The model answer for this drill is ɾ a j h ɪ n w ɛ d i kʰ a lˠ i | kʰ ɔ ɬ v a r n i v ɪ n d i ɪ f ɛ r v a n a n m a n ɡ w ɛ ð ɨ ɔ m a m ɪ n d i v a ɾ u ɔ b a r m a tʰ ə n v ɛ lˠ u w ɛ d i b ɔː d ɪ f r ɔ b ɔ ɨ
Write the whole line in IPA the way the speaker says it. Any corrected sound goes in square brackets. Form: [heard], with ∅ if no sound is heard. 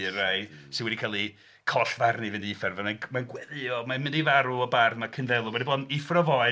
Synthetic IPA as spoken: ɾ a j [s] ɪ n w ɛ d i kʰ a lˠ i | kʰ ɔ ɬ v a r n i v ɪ n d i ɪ f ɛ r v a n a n m a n ɡ w ɛ ð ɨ ɔ m a m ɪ n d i v a ɾ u ɔ b a r m a [kʰ] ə n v ɛ lˠ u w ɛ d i b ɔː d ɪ f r ɔ [v] ɔ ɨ